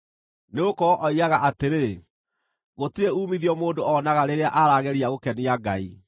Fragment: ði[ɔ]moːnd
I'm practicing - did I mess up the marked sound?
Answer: no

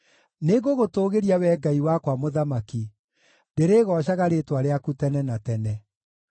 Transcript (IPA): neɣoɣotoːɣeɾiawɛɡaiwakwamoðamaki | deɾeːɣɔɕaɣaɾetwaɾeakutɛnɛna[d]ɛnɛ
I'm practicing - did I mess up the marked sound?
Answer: yes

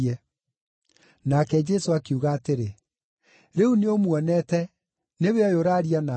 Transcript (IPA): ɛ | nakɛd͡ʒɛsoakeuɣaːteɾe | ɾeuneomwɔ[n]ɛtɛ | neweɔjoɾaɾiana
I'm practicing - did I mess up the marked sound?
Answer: no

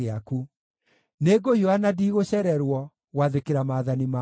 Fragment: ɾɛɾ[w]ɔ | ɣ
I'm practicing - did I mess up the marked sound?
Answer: no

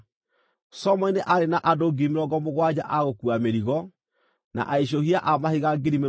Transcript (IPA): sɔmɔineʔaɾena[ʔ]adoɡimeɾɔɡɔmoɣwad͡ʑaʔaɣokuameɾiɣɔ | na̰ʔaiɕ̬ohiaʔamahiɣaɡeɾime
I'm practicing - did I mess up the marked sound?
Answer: no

